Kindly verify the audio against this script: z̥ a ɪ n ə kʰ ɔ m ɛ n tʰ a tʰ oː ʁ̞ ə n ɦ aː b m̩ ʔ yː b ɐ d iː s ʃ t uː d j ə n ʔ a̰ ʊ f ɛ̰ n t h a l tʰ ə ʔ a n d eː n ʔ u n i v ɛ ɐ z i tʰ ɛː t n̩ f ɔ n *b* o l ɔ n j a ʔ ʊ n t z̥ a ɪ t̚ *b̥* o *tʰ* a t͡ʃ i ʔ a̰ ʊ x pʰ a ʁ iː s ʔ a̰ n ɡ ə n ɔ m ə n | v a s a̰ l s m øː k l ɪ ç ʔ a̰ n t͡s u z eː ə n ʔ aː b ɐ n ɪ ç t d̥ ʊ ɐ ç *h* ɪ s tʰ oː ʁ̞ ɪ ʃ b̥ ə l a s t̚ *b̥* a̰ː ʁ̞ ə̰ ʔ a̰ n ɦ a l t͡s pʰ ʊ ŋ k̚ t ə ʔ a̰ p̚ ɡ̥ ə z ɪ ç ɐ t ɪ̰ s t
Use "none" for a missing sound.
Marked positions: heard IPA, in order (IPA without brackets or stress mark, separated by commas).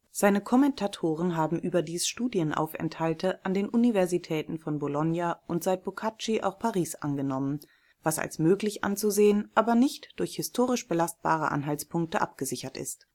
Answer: b, b̥, kʰ, h, b̥